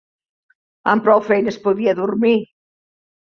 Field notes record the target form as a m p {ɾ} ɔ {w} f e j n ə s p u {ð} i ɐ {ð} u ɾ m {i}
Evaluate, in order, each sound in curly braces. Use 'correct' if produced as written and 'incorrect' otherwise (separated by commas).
correct, correct, correct, correct, correct